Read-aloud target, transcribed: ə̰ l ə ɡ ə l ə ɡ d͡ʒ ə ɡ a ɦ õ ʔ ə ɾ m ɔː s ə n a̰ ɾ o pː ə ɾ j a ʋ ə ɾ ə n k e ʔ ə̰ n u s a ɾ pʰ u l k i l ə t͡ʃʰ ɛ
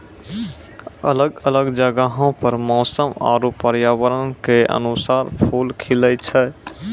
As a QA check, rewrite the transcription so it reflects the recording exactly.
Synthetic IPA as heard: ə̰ l ə ɡ ə l ə ɡ d͡ʒ ə ɡ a ɦ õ p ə ɾ m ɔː s ə m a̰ ɾ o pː ə ɾ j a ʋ ə ɾ ə n k e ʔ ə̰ n u s a ɾ pʰ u l kʰ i l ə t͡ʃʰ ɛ